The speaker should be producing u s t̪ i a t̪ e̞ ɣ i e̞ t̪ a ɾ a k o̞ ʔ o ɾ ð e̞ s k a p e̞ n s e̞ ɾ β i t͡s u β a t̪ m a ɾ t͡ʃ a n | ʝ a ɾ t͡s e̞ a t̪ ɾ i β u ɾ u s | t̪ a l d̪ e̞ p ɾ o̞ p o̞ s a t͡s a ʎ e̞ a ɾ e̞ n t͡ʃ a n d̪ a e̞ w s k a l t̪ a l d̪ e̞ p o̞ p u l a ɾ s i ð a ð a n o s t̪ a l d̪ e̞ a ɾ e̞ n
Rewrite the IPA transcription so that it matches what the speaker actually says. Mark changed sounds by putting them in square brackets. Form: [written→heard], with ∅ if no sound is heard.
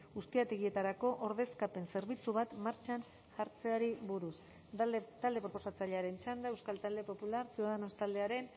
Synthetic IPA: u s t̪ i a t̪ e̞ ɣ i e̞ t̪ a ɾ a k o̞ ʔ o ɾ ð e̞ s k a p e̞ n s e̞ ɾ β i t͡s u β a t̪ m a ɾ t͡ʃ a n | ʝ a ɾ t͡s e̞ a [t̪→∅] ɾ i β u ɾ u s | t̪ a l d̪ e̞ p ɾ o̞ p o̞ s a t͡s a ʎ e̞ a ɾ e̞ n t͡ʃ a n d̪ a e̞ w s k a l t̪ a l d̪ e̞ p o̞ p u l a ɾ s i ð a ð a n o s t̪ a l d̪ e̞ a ɾ e̞ n

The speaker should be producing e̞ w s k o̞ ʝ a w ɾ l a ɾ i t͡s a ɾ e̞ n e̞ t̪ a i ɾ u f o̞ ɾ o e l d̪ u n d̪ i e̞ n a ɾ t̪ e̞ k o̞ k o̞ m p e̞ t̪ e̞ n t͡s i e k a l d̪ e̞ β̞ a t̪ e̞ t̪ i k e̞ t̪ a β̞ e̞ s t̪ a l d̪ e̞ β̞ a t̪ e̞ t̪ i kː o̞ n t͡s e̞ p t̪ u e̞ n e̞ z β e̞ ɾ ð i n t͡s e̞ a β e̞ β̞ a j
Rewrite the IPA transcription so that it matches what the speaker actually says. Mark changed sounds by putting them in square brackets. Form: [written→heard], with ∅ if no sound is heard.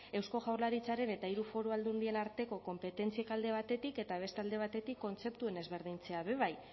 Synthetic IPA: e̞ w s k o̞ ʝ a w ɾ l a ɾ i t͡s a ɾ e̞ n e̞ t̪ a i ɾ u f o̞ ɾ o [e→a] l d̪ u n d̪ i e̞ n a ɾ t̪ e̞ k o̞ k o̞ m p e̞ t̪ e̞ n t͡s i e k a l d̪ e̞ β̞ a t̪ e̞ t̪ i k e̞ t̪ a β̞ e̞ s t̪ a l d̪ e̞ β̞ a t̪ e̞ t̪ i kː o̞ n t͡s e̞ p t̪ u e̞ n e̞ z β e̞ ɾ ð i n t͡s e̞ a β e̞ β̞ a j

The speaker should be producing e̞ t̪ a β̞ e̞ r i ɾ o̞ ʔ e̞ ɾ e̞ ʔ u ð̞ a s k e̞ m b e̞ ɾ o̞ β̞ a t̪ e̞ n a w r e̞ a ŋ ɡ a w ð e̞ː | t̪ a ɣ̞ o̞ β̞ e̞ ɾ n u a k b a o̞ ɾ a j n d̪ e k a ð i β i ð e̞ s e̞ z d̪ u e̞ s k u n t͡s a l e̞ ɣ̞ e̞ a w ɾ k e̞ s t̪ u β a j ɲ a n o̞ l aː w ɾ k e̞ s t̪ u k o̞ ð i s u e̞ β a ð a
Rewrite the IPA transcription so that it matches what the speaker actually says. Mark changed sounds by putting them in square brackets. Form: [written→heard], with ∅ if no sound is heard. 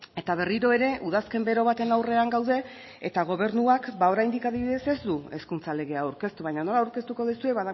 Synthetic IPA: e̞ t̪ a β̞ e̞ r i ɾ o̞ [ʔ→∅] e̞ ɾ e̞ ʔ u ð̞ a s k e̞ m b e̞ ɾ o̞ β̞ a t̪ e̞ n a w r e̞ a ŋ ɡ a w ð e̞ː | t̪ a ɣ̞ o̞ β̞ e̞ ɾ n u a k b a o̞ ɾ a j n d̪ [e→i] k a ð i β i ð e̞ s e̞ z d̪ u e̞ s k u n t͡s a l e̞ ɣ̞ e̞ a w ɾ k e̞ s t̪ u β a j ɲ a n o̞ l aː w ɾ k e̞ s t̪ u k o̞ ð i s u e̞ β a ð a

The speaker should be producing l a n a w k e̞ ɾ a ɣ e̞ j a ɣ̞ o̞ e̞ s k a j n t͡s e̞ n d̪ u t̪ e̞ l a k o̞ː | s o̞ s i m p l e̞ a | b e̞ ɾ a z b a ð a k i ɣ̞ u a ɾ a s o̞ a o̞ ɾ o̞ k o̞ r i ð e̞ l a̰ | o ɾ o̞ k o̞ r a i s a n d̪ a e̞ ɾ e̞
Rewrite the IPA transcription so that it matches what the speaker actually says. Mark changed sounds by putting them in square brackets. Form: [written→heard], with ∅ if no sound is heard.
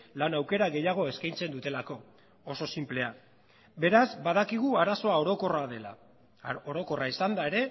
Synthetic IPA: l a n a w k e̞ ɾ a ɣ e̞ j a ɣ̞ o̞ e̞ s k a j n t͡s e̞ n d̪ u t̪ e̞ l a k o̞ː | s o̞ s i m p l e̞ a | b e̞ ɾ a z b a ð a k i ɣ̞ u a ɾ a s o̞ a o̞ ɾ o̞ k o̞ r [i→a] ð e̞ l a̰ | o ɾ o̞ k o̞ r a i s a n d̪ a e̞ ɾ e̞

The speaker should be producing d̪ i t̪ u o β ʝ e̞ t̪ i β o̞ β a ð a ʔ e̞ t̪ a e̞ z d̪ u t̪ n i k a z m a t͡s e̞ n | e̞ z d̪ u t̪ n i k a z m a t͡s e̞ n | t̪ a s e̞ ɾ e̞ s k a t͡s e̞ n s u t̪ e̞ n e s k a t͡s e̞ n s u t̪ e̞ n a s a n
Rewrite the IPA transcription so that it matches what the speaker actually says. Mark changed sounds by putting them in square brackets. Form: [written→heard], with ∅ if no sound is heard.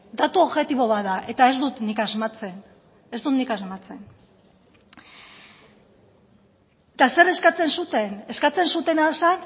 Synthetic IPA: d̪ [i→a] t̪ u o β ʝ e̞ t̪ i β o̞ β a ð a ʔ e̞ t̪ a e̞ z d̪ u t̪ n i k a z m a t͡s e̞ n | e̞ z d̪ u t̪ n i k a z m a t͡s e̞ n | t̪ a s e̞ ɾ e̞ s k a t͡s e̞ n s u t̪ e̞ n e s k a t͡s e̞ n s u t̪ e̞ n a s a n

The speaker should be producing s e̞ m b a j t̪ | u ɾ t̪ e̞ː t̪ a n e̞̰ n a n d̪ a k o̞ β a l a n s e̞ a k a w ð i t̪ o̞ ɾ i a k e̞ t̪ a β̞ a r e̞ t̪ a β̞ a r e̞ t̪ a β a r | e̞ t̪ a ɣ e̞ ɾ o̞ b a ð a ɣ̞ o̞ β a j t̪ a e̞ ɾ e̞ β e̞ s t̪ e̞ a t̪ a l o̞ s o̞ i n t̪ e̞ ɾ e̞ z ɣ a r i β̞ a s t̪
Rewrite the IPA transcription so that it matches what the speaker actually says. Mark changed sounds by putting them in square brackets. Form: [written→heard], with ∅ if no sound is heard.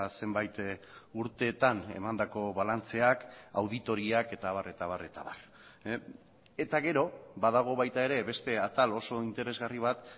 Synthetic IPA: s e̞ m b a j t̪ | u ɾ t̪ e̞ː t̪ a n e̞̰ [n→m] a n d̪ a k o̞ β a l a n [s→t͡s] e̞ a k a w ð i t̪ o̞ ɾ i a k e̞ t̪ a β̞ a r e̞ t̪ a β̞ a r e̞ t̪ a β a r | e̞ t̪ a ɣ e̞ ɾ o̞ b a ð a ɣ̞ o̞ β a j t̪ a e̞ ɾ e̞ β e̞ s t̪ e̞ a t̪ a l o̞ s o̞ i n t̪ e̞ ɾ e̞ z ɣ a r i β̞ a [s→∅] t̪

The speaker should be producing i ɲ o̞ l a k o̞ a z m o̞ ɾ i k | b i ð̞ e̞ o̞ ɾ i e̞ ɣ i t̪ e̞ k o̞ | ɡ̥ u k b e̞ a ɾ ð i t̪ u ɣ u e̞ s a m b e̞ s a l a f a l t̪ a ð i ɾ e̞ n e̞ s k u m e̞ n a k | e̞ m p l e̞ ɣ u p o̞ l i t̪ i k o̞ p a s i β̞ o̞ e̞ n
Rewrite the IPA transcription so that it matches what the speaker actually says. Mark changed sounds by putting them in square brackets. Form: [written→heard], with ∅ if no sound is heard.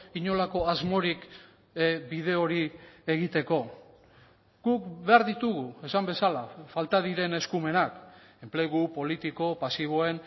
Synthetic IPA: i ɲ o̞ l a k o̞ a z m o̞ ɾ i k | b i ð̞ e̞ o̞ ɾ i e̞ ɣ i t̪ e̞ k o̞ | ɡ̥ u k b e̞ a ɾ ð i t̪ u ɣ u e̞ s a m b e̞ s a l a f a l t̪ a ð i ɾ e̞ n e̞ s k u m e̞ n a k | e̞ m p l e̞ ɣ u p o̞ l i t̪ i k o̞ p a s i β̞ o̞ e̞ n

